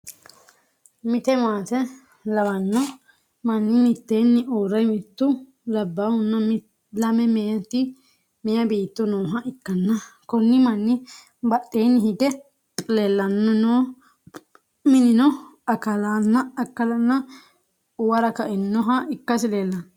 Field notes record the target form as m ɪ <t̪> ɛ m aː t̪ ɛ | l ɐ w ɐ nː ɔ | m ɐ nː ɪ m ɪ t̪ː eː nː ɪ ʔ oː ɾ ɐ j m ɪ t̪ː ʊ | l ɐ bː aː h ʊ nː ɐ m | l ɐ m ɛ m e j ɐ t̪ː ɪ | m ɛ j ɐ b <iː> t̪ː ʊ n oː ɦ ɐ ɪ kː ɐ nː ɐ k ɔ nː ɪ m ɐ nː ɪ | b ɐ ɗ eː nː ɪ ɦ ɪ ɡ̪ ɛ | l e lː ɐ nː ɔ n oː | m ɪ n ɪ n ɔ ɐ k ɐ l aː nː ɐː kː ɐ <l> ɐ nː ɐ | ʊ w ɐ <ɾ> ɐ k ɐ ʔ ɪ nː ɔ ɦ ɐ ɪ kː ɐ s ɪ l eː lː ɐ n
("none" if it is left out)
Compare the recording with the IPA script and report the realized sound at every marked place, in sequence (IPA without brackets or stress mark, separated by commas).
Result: t̪, iː, l, ɾ